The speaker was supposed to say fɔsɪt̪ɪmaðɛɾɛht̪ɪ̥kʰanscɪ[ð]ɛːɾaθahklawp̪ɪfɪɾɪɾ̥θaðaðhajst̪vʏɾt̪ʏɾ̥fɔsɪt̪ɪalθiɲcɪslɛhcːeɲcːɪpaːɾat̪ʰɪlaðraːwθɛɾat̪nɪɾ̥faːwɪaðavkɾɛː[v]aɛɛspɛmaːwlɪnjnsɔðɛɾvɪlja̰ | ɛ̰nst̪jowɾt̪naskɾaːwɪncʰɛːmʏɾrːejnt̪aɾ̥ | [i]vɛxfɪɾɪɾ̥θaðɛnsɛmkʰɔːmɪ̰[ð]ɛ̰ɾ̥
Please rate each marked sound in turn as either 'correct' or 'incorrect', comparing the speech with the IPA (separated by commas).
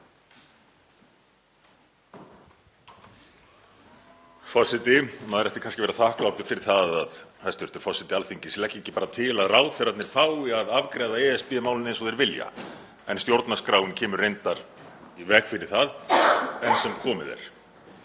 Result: incorrect, incorrect, correct, correct